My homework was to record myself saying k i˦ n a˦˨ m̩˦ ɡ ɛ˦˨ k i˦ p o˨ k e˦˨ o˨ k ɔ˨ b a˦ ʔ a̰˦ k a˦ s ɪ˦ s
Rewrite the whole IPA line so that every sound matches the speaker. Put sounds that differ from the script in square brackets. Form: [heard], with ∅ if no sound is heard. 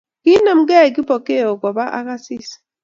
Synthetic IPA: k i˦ n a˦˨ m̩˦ ɡ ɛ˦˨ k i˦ p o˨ k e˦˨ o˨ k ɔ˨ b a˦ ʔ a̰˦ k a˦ s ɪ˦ s